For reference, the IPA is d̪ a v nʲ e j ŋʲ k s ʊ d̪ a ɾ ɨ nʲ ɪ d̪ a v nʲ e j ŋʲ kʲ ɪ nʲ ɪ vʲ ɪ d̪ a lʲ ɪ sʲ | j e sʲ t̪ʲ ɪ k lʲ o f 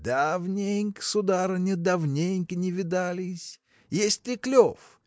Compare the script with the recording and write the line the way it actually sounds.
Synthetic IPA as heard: d̪ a v nʲ e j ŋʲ k s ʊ d̪ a ɾ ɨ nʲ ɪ d̪ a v nʲ e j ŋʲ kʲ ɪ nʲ ɪ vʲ ɪ d̪ a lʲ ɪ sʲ | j e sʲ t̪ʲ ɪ k lʲ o f